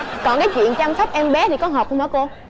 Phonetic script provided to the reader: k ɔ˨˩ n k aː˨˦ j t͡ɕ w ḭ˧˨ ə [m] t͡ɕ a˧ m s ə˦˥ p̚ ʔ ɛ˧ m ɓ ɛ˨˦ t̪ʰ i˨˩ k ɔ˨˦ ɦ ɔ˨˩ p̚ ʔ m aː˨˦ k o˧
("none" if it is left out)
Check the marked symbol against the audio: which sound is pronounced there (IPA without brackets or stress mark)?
n